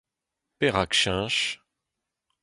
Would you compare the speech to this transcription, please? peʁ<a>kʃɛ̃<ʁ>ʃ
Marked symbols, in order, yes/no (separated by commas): yes, no